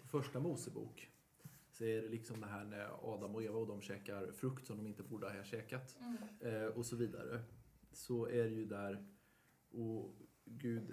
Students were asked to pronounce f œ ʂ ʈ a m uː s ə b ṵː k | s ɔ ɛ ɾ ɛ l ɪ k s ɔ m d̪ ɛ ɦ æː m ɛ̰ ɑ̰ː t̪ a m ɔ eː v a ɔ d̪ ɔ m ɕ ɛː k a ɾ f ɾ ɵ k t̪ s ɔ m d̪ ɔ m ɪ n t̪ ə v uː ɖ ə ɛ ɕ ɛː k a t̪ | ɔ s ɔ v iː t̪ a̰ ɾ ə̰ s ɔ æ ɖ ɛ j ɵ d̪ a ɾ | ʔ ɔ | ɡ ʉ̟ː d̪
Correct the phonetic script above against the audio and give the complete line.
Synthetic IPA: f œ ʂ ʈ a m uː s ə b ṵː k | s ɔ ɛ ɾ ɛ l ɪ k s ɔ m d̪ ɛ ɦ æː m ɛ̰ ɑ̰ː d̪ a m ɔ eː v a ɔ d̪ ɔ m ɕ ɛː k a ɾ f ɾ ɵ k t̪ s ɔ m d̪ ɔ m ɪ n t̪ ə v uː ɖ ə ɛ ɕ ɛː k a t̪ | ɔ s ɔ v iː d̪ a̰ ɾ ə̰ s ɔ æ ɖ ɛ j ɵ d̪ æ ɾ | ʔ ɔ | ɡ ʉ̟ː d̪